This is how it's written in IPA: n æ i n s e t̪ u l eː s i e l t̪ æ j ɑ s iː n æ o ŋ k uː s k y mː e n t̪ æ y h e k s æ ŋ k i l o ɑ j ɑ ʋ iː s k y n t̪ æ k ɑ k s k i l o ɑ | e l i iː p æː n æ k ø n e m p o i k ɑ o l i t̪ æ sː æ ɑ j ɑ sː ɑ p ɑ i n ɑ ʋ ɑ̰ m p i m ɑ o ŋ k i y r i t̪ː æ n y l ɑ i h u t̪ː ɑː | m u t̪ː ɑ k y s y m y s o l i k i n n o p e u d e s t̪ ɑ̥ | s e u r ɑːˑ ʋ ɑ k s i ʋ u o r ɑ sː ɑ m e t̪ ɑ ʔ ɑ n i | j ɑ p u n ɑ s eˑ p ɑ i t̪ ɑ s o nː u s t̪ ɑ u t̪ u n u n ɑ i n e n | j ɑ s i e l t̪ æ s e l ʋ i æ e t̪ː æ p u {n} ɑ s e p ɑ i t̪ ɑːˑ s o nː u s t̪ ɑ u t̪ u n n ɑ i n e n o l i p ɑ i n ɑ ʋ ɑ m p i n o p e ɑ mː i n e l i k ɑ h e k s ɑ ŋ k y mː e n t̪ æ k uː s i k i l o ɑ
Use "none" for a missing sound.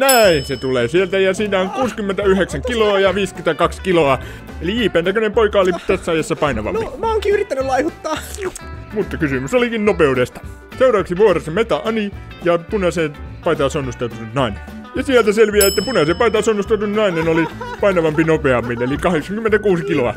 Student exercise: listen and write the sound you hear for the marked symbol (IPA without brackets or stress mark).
n